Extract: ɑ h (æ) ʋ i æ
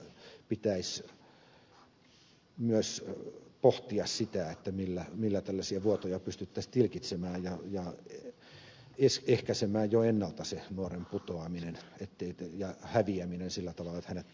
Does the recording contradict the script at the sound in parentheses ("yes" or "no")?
no